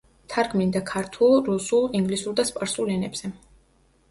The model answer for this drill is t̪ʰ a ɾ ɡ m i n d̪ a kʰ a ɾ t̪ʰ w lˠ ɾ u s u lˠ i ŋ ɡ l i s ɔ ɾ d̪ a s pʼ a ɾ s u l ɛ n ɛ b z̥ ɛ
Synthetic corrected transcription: t̪ʰ a ɾ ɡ m i n d̪ a kʰ a ɾ t̪ʰ u lˠ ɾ u s u lˠ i ŋ ɡ l i s u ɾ d̪ a s pʼ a ɾ s u l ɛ n ɛ b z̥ ɛ